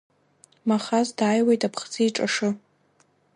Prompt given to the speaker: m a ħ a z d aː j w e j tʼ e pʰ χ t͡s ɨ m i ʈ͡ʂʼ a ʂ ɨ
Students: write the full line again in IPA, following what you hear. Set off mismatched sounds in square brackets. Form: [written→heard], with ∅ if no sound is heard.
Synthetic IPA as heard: m a [ħ→χ] a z d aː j w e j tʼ [e→a] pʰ χ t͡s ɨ [m→∅] i ʈ͡ʂʼ a ʂ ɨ